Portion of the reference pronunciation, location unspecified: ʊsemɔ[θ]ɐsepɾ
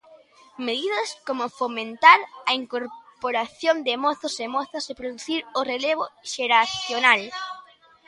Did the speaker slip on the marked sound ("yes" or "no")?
no